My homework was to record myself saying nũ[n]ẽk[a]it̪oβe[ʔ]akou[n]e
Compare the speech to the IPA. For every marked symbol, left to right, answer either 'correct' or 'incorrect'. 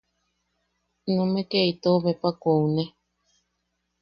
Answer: incorrect, incorrect, incorrect, correct

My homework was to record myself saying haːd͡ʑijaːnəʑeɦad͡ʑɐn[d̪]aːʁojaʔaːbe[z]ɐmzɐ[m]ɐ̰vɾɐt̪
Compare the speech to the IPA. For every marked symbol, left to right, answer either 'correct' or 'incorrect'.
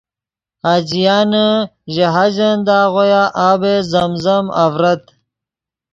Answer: correct, correct, correct

